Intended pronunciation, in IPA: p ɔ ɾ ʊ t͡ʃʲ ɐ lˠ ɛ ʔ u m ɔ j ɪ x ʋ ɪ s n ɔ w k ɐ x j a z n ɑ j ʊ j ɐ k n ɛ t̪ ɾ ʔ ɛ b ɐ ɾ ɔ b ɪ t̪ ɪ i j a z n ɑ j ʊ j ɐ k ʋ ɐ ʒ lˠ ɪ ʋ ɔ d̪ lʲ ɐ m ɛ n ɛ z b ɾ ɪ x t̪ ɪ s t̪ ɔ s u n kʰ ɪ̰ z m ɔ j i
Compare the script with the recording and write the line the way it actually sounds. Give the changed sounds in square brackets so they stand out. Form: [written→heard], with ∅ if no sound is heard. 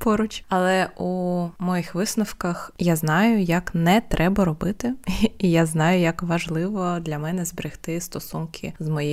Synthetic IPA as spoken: p ɔ ɾ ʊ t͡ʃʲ ɐ lˠ ɛ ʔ u m ɔ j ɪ x ʋ ɪ s n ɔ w k ɐ x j a z n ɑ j ʊ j ɐ k n ɛ t̪ ɾ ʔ ɛ b ɐ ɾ ɔ b ɪ t̪ ɪ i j a z n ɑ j ʊ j ɐ k ʋ ɐ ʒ lˠ ɪ ʋ ɔ d̪ lʲ ɐ m ɛ n ɛ z b ɾ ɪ x t̪ ɪ s t̪ ɔ s u n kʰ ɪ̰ z m ɔ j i